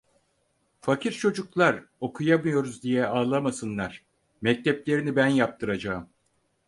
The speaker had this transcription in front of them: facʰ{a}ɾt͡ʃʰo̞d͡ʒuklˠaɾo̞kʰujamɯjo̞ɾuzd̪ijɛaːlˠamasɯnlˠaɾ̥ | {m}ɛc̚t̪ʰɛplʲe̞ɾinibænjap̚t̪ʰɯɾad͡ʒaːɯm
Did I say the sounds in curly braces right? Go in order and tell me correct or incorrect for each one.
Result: incorrect: i, correct

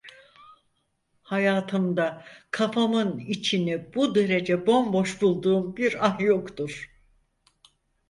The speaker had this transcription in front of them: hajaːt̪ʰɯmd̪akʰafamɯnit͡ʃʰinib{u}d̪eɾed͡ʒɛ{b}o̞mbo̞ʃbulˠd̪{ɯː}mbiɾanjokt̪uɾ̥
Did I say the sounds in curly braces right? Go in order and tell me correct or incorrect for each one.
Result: correct, correct, incorrect: uː

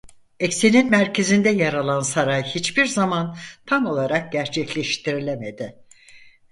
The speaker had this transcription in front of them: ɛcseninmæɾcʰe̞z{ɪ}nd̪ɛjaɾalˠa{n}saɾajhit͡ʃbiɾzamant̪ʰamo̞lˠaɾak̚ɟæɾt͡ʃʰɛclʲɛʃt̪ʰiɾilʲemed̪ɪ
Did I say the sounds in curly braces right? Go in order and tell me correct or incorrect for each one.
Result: incorrect: i, correct

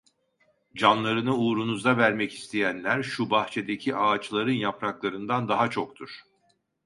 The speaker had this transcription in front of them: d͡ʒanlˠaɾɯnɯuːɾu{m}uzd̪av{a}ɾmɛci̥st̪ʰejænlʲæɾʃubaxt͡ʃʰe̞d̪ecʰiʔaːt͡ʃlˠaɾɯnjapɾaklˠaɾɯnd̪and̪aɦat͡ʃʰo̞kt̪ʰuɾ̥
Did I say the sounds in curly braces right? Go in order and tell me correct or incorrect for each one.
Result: incorrect: n, incorrect: æ

